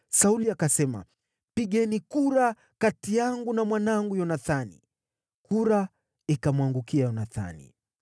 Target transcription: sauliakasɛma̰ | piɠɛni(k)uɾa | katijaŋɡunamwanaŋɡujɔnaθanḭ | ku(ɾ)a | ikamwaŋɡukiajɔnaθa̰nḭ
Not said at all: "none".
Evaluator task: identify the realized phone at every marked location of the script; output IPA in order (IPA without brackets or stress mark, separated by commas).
k, ɾ